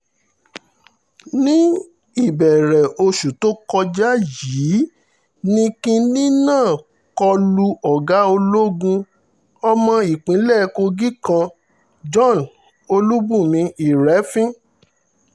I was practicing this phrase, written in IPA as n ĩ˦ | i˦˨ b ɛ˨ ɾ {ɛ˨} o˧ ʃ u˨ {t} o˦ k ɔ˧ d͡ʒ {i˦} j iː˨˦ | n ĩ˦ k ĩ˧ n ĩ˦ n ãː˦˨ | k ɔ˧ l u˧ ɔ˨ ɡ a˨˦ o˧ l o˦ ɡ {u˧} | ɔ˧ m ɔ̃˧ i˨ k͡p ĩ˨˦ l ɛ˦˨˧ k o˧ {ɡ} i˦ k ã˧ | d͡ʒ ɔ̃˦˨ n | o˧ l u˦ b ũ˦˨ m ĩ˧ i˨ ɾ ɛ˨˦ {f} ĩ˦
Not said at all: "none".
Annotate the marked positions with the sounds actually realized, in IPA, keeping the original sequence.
ɛ˨, t, a˦, ũ˧, ɡ, f

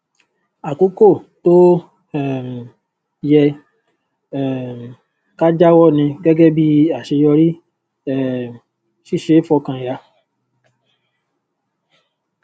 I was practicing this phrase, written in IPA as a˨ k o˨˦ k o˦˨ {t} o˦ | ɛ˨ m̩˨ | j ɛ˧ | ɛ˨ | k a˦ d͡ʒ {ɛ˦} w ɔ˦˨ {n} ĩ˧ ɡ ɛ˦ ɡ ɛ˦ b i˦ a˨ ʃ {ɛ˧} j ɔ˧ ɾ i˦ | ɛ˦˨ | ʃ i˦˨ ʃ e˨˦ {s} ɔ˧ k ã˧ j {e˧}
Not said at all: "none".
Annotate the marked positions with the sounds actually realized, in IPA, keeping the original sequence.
t, a˦, n, e˧, f, a˧

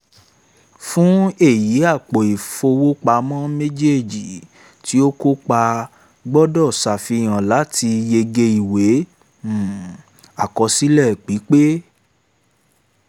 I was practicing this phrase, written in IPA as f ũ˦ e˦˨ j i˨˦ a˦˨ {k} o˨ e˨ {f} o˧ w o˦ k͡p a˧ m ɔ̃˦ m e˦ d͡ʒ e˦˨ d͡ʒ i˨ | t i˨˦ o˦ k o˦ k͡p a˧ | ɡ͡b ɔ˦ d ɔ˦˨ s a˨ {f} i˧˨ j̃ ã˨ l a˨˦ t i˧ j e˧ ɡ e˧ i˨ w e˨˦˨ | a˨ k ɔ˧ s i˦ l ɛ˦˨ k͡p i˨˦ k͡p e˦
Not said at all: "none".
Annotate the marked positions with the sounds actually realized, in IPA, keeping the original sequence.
k͡p, f, f

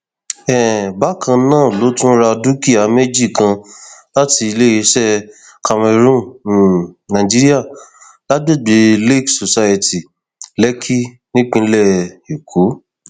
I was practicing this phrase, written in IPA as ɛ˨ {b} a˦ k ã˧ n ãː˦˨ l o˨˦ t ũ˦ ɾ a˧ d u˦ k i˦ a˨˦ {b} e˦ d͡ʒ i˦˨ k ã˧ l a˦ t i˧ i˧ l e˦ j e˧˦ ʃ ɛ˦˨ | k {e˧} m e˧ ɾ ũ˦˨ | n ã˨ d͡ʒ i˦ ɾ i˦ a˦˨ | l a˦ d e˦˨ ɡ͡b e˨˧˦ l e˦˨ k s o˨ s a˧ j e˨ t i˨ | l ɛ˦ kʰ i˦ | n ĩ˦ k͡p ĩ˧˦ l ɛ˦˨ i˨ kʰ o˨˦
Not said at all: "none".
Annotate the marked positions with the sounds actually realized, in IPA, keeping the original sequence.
b, m, a˧

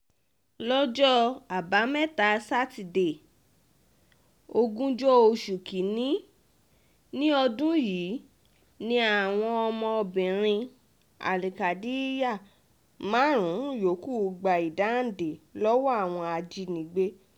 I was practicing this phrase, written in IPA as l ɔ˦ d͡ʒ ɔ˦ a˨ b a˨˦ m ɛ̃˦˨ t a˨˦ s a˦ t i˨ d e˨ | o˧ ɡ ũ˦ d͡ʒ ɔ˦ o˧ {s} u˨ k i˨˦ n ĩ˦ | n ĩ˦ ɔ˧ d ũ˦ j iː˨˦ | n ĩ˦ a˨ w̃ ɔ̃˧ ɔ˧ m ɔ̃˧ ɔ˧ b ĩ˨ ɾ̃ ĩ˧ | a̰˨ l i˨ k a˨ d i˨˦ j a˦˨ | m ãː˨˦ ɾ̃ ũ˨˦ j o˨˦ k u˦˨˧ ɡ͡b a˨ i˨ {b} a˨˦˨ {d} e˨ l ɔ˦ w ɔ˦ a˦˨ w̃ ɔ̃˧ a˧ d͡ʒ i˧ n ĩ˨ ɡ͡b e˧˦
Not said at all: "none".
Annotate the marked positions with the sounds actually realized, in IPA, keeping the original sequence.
ʃ, d, d

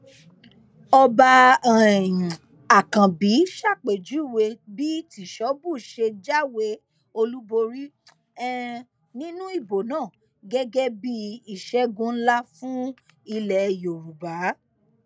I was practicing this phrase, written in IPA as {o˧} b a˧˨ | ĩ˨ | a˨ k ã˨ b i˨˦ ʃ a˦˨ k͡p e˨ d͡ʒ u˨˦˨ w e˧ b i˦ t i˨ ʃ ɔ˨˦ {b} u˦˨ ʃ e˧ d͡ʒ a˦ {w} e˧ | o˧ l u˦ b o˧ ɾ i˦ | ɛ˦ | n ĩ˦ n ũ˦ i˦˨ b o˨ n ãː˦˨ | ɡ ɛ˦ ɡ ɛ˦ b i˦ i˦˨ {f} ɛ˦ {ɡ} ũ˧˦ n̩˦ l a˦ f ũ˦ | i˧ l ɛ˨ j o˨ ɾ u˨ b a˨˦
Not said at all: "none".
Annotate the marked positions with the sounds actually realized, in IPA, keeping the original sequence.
ɔ˧, b, w, ʃ, ɡ

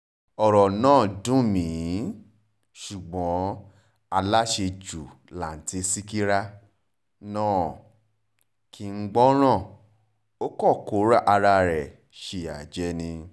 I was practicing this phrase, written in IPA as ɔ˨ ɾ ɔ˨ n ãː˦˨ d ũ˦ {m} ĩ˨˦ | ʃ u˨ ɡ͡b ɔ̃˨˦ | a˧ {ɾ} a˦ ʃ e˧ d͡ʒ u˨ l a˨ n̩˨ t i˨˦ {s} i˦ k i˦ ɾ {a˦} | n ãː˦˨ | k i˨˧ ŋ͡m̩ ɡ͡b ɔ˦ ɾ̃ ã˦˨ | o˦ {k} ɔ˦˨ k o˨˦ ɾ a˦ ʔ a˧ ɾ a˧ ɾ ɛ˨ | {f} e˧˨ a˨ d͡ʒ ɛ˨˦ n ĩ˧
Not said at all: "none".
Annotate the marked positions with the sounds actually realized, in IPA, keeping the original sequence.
m, l, s, a˦, k, ʃ

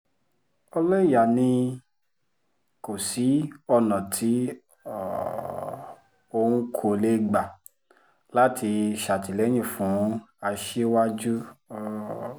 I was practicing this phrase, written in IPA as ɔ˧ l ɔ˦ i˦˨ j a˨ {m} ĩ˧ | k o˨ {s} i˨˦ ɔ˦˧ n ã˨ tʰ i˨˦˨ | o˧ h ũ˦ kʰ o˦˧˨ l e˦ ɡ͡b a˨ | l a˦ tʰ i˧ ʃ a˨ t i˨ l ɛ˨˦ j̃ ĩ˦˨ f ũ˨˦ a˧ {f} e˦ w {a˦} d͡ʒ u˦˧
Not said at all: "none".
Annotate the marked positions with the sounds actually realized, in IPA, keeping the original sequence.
n, s, ʃ, a˦

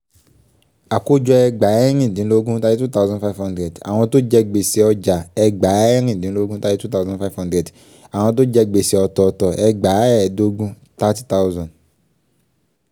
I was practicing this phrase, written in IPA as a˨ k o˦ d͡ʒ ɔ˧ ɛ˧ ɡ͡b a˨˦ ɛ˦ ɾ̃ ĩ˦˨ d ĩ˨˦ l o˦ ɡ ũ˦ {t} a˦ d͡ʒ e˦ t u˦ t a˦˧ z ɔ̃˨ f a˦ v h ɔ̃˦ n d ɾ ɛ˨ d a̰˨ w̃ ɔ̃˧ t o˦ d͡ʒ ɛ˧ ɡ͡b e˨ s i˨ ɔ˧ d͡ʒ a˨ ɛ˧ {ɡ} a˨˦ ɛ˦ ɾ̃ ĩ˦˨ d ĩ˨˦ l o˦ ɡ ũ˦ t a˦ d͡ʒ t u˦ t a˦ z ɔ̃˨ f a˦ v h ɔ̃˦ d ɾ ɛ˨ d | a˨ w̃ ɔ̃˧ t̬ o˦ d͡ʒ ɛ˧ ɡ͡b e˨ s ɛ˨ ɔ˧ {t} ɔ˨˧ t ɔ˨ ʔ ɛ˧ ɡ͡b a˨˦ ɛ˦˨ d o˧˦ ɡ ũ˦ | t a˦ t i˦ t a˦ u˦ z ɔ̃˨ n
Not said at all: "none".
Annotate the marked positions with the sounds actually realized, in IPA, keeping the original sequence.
t, ɡ͡b, t

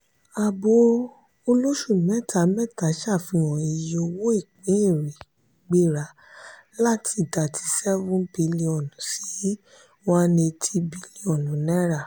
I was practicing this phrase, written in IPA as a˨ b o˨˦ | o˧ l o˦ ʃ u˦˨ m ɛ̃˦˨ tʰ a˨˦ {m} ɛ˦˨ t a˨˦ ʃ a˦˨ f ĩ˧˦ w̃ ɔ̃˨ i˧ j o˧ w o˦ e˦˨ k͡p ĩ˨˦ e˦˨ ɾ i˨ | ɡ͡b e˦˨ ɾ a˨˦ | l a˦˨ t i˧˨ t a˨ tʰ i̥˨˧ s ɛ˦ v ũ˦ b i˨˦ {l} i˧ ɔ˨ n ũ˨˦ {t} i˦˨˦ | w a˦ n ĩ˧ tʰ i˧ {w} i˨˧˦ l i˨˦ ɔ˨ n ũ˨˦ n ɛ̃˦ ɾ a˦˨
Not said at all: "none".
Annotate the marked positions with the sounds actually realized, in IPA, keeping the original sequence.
m, l, s, b

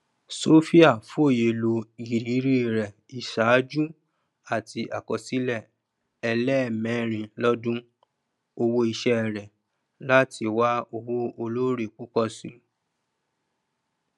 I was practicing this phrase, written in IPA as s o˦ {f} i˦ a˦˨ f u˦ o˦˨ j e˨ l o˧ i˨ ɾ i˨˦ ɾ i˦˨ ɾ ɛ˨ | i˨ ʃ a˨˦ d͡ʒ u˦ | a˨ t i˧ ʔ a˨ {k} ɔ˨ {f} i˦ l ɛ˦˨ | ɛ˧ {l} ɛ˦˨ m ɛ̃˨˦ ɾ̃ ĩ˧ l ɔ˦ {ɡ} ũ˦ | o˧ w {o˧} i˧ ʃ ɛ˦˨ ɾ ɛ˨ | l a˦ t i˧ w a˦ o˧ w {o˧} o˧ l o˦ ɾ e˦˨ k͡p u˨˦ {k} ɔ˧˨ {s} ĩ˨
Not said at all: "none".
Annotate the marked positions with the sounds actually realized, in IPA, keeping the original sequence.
f, k, s, l, d, o˧, o˧, k, s

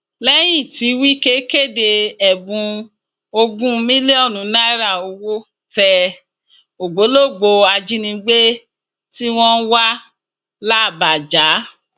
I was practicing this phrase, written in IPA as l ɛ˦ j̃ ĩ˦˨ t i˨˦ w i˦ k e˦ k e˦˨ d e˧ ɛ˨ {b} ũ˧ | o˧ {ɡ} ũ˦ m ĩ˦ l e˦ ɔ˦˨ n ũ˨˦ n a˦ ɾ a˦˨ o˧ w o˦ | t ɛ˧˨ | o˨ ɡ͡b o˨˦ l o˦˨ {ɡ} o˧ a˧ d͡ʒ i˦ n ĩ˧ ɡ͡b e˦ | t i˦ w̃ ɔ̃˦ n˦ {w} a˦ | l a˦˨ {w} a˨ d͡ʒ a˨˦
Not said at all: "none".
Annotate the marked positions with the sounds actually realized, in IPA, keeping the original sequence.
b, ɡ, ɡ͡b, w, b

